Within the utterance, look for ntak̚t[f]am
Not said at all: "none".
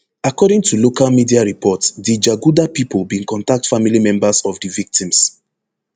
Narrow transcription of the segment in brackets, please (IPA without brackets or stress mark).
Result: f